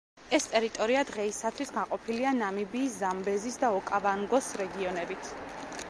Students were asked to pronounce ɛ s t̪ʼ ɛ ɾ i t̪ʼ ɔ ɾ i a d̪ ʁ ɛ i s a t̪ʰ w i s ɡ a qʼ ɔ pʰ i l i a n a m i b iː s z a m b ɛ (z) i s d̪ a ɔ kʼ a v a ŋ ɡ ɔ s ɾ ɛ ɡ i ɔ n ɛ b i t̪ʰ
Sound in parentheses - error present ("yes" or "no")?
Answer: no